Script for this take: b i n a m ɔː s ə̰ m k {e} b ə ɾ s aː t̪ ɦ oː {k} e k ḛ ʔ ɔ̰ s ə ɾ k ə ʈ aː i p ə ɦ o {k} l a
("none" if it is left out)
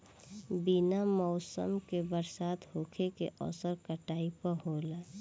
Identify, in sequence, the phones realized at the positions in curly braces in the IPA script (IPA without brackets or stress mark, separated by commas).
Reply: e, kʰ, none